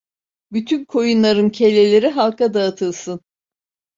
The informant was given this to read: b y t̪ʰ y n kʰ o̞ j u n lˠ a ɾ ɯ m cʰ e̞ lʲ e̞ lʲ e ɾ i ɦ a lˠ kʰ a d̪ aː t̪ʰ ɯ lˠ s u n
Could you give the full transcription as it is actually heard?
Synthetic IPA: b y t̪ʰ y n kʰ o̞ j u n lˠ a ɾ ɯ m cʰ e̞ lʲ e̞ lʲ e ɾ i ɦ a lˠ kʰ a d̪ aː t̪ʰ ɯ lˠ s ɯ n